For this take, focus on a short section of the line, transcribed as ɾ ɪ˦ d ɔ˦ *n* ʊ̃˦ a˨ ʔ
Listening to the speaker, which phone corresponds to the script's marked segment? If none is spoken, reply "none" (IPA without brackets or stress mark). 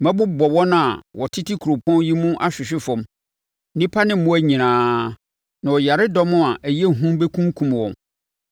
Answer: m